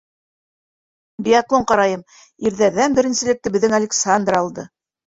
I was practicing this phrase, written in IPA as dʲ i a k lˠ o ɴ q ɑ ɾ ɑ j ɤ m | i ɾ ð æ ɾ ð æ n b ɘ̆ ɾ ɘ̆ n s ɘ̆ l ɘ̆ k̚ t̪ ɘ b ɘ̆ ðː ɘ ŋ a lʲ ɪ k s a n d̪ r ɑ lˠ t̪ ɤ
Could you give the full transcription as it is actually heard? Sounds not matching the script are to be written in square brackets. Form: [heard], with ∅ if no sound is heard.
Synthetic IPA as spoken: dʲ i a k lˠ o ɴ q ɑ ɾ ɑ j ɤ m | i ɾ ð æ ɾ ð æ n b ɘ̆ ɾ ɘ̆ n s ɘ̆ l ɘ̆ k̚ t̪ ɘ b ɘ̆ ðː ɘ ŋ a lʲ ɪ k s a n d̪ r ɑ lˠ [d̪] ɤ